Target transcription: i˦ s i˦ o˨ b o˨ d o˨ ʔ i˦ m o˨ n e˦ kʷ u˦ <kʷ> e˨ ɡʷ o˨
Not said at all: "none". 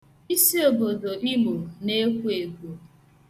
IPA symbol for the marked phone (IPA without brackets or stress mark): none